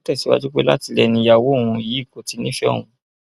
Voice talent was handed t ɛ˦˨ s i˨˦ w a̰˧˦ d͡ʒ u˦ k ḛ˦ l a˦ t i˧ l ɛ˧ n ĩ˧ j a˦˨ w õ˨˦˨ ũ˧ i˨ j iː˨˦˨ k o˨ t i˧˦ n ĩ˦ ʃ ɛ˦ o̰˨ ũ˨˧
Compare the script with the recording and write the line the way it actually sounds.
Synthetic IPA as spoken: t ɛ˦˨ s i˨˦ w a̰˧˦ d͡ʒ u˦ k͡p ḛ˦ l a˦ t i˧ l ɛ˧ n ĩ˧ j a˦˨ w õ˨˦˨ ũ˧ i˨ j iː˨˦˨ k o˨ t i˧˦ n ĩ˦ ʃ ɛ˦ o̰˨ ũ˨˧